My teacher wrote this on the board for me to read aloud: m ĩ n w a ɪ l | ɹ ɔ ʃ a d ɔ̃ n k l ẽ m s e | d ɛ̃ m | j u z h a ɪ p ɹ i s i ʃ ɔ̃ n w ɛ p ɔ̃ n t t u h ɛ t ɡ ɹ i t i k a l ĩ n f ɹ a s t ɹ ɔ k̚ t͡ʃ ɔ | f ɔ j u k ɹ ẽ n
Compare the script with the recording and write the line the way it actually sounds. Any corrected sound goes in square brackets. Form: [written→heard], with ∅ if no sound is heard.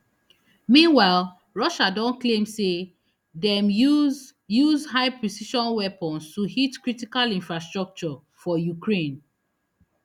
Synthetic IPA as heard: m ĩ n w a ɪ l | ɹ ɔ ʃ a d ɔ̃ n k l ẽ m s e | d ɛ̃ m | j u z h a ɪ p ɹ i s i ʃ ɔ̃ n w ɛ p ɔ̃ n [t→s] t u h [ɛ→i] t [ɡ→k] ɹ i t i k a l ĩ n f ɹ a s t ɹ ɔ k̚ t͡ʃ ɔ | f ɔ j u k ɹ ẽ n